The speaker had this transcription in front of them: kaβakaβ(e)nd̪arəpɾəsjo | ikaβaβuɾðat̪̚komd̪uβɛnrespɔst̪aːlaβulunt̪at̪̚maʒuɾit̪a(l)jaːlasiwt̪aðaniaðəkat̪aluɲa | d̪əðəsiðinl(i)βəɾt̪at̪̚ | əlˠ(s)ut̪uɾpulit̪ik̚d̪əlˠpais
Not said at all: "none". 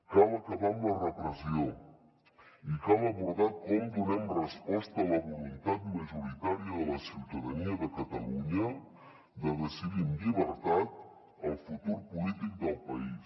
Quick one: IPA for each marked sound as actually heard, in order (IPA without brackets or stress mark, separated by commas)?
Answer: a, ɾ, i, f